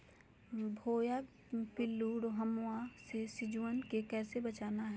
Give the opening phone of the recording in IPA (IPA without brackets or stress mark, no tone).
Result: bʱ